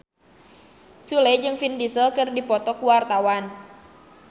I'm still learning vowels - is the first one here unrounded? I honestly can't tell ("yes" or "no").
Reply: no